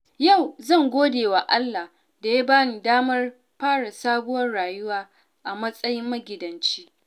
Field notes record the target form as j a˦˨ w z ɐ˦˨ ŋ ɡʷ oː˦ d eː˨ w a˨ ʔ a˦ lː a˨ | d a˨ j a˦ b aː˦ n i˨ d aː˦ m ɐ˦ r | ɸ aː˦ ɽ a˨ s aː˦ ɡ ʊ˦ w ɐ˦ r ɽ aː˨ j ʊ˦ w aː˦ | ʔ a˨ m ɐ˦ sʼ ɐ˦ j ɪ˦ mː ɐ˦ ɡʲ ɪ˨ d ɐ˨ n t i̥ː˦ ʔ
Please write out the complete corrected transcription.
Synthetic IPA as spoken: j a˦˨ w z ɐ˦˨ ŋ ɡʷ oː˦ d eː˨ w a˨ ʔ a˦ lː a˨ | d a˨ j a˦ b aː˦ n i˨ d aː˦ m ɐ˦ r | ɸ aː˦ ɽ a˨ s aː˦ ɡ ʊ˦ w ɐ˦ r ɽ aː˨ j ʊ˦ w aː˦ | ʔ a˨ m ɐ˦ sʼ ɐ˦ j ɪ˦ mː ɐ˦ ɡʲ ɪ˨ d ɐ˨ n t͡ʃ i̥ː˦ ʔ

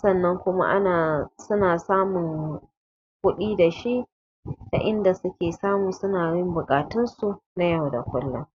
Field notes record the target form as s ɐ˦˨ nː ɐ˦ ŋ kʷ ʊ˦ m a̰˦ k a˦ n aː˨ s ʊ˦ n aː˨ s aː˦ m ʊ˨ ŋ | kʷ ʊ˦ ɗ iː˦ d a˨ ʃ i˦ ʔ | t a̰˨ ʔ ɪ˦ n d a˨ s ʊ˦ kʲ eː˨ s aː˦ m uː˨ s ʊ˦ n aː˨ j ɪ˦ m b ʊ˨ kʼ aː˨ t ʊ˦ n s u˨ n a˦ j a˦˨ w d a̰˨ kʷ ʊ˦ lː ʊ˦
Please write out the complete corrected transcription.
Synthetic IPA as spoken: s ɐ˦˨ nː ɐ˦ ŋ kʷ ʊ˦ m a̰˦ ʔ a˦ n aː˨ s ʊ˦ n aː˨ s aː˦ m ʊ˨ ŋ | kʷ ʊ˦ ɗ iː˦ d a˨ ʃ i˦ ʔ | t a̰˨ ʔ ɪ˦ n d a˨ s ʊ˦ kʲ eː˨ s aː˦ m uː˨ s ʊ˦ n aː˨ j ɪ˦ m b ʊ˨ kʼ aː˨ t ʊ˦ n s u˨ n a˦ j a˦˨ w d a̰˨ kʷ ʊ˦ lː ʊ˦

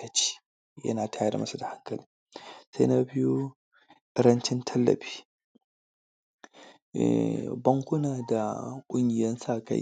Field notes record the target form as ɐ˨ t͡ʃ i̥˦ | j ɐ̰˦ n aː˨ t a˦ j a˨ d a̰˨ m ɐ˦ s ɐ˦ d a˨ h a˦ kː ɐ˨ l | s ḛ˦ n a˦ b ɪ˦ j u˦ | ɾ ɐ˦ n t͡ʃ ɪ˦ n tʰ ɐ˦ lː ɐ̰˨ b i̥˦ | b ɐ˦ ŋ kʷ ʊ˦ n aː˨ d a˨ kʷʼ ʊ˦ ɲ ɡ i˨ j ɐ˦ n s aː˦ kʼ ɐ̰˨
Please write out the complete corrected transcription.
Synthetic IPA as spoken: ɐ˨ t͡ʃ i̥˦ | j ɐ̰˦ n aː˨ t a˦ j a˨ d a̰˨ m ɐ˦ s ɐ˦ d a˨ h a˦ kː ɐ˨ l | s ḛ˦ n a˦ b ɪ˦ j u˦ | ɾ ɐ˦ n t͡ʃ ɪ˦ n tʰ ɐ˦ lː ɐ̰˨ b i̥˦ | b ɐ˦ ŋ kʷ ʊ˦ n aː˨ d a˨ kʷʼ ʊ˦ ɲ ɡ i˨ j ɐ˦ n s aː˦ k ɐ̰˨

